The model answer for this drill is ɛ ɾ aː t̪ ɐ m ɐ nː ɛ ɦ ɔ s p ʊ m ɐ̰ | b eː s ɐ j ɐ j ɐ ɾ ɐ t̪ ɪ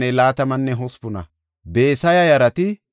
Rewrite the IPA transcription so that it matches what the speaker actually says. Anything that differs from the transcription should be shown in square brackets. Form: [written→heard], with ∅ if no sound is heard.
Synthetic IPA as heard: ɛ [ɾ→l] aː t̪ ɐ m ɐ nː ɛ ɦ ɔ s p ʊ [m→n] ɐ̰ | b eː s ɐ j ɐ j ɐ ɾ ɐ t̪ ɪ